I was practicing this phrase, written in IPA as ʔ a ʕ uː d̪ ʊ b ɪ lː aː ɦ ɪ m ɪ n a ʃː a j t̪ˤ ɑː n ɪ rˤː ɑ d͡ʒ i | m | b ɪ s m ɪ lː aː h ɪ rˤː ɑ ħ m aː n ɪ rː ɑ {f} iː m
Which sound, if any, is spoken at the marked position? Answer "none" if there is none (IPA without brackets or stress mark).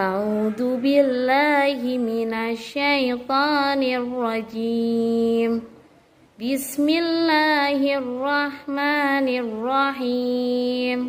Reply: ħ